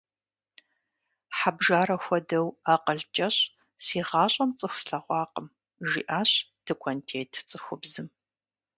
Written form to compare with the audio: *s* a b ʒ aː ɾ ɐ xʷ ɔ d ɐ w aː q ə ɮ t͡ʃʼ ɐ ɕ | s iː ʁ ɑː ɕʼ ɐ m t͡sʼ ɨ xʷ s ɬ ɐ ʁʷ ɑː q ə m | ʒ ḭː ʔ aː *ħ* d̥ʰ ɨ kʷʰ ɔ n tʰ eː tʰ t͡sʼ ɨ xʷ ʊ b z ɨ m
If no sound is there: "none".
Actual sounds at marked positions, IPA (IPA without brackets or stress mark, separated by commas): ħ, ɕ